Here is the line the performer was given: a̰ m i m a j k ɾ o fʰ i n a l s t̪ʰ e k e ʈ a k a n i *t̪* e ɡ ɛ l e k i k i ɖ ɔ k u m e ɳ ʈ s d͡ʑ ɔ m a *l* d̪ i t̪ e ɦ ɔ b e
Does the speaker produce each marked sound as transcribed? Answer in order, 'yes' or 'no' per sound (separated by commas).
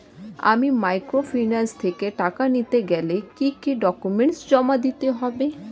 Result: yes, no